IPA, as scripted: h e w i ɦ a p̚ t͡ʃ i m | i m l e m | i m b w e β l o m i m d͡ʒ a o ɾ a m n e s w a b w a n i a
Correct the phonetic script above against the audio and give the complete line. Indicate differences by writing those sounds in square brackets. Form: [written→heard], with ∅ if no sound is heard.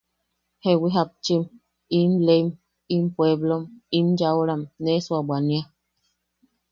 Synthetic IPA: h e w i ɦ a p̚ t͡ʃ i m | i m l e m | i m [b→p] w e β l o m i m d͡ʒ a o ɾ a m n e s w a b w a n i a